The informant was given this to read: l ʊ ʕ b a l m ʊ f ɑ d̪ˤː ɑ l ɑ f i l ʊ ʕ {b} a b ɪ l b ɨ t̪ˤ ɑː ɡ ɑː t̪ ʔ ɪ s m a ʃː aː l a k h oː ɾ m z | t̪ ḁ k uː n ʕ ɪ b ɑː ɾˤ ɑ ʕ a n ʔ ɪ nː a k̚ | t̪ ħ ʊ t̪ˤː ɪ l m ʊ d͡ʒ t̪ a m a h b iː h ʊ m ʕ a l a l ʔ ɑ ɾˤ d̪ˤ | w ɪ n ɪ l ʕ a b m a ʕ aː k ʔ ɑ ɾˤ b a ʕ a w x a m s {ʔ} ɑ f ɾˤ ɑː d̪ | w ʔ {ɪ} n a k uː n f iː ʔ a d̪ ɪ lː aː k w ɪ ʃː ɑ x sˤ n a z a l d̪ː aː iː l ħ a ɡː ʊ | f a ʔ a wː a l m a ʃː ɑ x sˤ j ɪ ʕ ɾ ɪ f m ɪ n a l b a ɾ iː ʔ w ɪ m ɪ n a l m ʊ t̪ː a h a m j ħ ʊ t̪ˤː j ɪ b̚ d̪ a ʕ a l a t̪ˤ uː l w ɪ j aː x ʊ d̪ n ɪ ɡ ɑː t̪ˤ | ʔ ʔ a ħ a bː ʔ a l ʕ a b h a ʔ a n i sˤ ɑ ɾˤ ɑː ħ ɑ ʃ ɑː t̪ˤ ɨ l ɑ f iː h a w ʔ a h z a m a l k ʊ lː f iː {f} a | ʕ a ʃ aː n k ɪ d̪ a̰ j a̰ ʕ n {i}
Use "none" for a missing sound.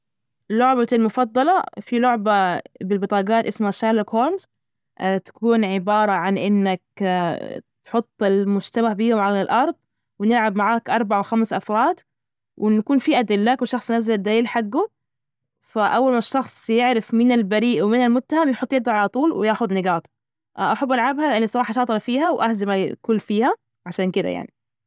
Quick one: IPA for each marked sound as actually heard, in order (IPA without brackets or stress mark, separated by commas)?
b, ʔ, ɪ, h, i